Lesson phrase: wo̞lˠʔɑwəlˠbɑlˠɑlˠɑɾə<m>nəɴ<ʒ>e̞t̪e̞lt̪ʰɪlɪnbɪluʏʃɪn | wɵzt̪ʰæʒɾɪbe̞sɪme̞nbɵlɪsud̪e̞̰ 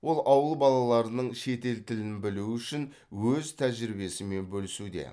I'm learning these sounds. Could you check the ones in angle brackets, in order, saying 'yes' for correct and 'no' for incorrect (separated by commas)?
no, no